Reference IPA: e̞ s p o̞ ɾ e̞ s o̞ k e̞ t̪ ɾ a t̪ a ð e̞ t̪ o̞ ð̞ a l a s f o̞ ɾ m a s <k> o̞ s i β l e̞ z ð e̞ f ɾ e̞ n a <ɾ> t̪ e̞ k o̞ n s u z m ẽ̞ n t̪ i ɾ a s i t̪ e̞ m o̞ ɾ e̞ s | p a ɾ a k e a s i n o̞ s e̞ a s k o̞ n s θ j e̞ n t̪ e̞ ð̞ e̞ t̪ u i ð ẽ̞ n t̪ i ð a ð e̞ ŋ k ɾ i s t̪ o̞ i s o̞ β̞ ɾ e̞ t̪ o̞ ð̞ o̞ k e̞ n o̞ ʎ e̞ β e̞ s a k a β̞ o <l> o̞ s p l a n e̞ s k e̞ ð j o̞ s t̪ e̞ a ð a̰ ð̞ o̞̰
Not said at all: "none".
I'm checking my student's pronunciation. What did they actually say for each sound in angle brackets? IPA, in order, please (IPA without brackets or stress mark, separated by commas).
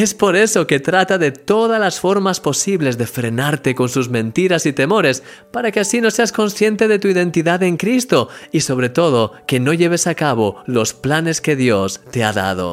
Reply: p, ɾ, l